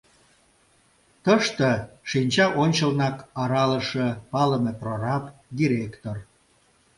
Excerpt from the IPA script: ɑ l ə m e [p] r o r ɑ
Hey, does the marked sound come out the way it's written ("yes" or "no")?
yes